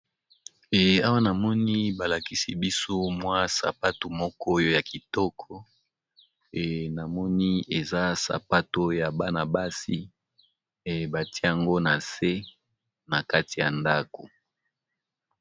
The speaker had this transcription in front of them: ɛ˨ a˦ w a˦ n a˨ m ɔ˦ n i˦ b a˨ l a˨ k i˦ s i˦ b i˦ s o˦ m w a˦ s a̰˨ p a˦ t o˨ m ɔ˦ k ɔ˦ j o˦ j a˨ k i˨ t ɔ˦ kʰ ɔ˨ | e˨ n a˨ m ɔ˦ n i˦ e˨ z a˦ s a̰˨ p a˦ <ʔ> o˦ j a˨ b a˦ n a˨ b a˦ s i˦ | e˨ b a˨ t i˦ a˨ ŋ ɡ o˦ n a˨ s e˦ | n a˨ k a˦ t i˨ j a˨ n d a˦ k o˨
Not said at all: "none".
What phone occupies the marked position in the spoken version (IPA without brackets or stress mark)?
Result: t